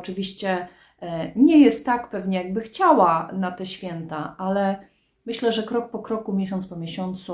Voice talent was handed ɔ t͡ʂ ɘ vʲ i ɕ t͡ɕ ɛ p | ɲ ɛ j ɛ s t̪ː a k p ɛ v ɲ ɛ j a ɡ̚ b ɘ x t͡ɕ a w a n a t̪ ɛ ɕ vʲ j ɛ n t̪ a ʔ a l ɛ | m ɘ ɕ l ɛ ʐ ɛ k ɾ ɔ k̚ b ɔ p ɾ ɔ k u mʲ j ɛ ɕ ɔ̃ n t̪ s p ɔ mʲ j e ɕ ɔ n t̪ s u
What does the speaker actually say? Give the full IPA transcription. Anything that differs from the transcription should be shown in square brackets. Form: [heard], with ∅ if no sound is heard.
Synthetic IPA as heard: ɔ t͡ʂ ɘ vʲ i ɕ t͡ɕ ɛ [∅] | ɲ ɛ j ɛ s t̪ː a k p ɛ v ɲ ɛ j a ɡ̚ b ɘ x t͡ɕ a w a n a t̪ ɛ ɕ [fʲ] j ɛ n t̪ a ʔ a l ɛ | m ɘ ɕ l ɛ ʐ ɛ k ɾ ɔ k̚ [p] ɔ [k] ɾ ɔ k u mʲ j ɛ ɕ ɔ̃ n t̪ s p ɔ mʲ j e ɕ ɔ n t̪ s u